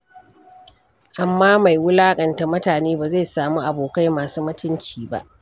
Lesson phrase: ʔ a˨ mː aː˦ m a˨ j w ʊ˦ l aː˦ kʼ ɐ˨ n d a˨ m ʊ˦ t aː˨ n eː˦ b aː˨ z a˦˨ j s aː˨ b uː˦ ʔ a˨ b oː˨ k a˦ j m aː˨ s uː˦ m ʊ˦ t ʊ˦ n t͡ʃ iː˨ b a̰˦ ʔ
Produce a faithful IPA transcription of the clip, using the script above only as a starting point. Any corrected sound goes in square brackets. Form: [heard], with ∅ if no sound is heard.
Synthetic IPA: ʔ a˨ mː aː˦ m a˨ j w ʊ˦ l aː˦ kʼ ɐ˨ n [t] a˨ m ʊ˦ t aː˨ n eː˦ b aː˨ z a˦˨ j s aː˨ [m] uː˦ ʔ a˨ b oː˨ k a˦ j m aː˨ s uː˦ m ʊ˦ t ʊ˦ n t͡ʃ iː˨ b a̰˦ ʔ